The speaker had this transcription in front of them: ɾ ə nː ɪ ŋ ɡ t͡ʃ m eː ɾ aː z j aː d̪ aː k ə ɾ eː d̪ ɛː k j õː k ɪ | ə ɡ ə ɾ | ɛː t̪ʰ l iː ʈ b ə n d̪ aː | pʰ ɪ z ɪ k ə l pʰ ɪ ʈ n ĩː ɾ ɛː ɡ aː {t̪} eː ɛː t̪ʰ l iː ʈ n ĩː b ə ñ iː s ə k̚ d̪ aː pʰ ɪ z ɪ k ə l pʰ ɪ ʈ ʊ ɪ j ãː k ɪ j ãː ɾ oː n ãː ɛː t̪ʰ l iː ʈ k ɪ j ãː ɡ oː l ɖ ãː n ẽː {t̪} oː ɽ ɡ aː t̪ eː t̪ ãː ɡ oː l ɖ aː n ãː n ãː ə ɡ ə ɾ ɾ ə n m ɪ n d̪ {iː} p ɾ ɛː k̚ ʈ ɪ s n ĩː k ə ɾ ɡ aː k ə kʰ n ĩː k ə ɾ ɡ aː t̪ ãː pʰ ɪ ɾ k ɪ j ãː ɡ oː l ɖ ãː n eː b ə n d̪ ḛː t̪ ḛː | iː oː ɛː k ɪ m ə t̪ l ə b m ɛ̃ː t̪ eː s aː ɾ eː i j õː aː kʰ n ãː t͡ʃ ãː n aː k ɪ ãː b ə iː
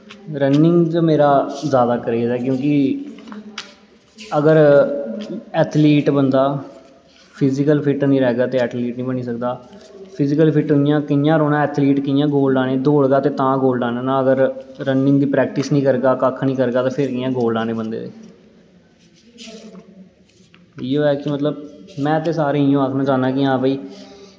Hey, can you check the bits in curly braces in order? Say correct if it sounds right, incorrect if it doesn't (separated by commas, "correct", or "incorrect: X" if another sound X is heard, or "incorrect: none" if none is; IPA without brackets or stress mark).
correct, incorrect: d̪, correct